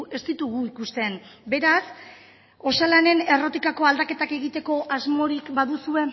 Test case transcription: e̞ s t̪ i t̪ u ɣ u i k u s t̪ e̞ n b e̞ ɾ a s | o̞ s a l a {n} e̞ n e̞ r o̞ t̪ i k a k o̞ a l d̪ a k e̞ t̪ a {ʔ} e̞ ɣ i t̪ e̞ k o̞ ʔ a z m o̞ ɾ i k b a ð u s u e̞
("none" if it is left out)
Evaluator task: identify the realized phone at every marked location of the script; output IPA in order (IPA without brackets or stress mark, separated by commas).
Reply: n, k